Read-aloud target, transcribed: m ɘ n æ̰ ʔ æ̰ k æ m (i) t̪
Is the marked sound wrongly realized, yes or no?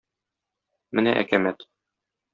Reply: yes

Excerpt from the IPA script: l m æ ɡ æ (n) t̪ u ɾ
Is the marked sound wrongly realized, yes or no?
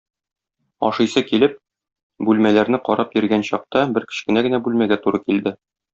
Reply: yes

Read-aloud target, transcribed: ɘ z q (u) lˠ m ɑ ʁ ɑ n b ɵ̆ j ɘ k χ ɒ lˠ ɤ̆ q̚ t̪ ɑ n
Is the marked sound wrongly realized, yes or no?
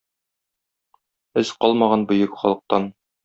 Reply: yes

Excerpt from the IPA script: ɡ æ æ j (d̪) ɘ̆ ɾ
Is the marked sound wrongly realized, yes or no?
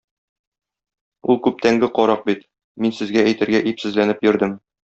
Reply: yes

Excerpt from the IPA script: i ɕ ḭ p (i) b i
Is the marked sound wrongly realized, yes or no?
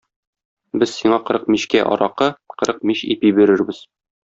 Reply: no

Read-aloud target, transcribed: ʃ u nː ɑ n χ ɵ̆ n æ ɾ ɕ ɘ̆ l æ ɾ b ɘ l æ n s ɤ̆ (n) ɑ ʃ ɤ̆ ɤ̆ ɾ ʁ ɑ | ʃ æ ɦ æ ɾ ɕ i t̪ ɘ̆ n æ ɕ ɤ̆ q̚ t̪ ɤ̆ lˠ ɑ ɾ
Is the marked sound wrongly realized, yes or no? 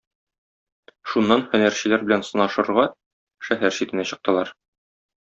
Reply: no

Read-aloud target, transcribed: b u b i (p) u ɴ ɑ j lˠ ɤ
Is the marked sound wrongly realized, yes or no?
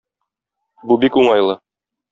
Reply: yes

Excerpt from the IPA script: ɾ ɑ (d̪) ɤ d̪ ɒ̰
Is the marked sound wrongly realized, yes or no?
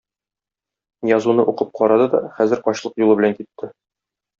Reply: no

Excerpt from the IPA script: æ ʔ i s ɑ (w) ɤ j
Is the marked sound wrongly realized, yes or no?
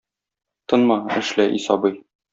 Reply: yes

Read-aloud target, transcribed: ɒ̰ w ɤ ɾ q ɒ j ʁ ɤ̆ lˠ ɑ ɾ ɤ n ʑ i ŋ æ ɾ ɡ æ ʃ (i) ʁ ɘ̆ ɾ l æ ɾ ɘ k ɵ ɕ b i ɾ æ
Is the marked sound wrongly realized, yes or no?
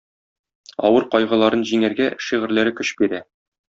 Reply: no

